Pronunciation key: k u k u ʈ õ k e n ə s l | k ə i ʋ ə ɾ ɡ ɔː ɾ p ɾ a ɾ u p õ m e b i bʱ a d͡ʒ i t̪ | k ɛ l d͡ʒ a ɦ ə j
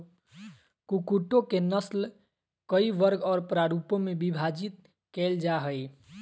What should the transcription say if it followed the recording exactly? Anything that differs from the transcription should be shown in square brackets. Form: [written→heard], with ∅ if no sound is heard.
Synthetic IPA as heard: k u k u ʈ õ k e n ə s l | k ə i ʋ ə ɾ ɡ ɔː ɾ p ɾ a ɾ u p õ m e b i bʱ a d͡ʒ i t̪ | k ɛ l d͡ʒ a ɦ ə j